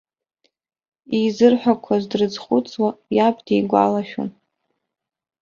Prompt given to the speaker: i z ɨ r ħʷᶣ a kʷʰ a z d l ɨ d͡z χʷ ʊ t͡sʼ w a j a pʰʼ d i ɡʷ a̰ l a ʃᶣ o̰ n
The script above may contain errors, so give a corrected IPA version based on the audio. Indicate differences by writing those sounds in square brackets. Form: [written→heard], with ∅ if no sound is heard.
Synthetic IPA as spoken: i z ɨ r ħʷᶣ a kʷʰ a z d [l→r] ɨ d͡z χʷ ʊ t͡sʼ w a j a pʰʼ d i ɡʷ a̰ l a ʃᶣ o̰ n